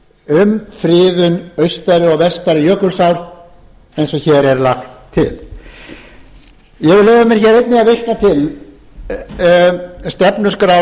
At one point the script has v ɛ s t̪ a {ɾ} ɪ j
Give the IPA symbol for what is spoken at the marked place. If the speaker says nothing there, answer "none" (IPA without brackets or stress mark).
ɾ